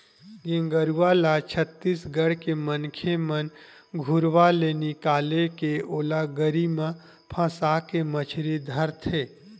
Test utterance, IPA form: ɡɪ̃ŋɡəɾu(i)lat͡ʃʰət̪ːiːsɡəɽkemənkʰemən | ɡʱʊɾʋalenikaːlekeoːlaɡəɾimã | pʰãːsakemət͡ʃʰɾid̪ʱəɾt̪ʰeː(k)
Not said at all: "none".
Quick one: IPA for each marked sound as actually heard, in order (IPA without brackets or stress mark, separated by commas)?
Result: a, none